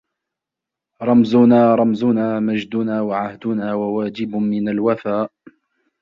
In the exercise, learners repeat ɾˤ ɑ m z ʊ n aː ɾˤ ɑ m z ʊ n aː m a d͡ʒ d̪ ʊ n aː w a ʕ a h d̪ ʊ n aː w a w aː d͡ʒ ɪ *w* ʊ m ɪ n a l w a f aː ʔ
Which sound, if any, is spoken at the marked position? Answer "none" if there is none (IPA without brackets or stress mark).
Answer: b